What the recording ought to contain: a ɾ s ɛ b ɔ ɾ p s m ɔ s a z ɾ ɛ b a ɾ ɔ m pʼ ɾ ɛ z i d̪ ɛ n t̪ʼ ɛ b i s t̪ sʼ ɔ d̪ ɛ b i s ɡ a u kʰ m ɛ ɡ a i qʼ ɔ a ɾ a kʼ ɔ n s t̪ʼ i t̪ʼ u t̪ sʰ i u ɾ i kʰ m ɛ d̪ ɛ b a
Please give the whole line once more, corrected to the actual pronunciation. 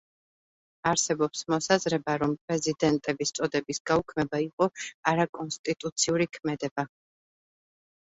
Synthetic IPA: a ɾ s ɛ b ɔ p s m ɔ s a z ɾ ɛ b a ɾ ɔ m pʼ ɾ ɛ z i d̪ ɛ n t̪ʼ ɛ b i s t̪ sʼ ɔ d̪ ɛ b i s ɡ a u kʰ m ɛ b a i qʼ ɔ a ɾ a kʼ ɔ n s t̪ʼ i t̪ʼ u t̪ sʰ i u ɾ i kʰ m ɛ d̪ ɛ b a